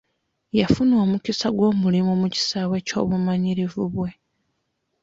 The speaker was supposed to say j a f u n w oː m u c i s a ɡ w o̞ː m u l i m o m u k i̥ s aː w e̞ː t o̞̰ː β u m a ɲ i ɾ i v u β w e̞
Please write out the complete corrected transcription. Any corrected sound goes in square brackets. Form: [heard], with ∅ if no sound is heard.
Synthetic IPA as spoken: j a f u n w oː m u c i s a ɡ w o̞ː m u l i m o m u [c] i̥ s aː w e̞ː [c] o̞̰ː β u m a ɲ i ɾ i v u β w e̞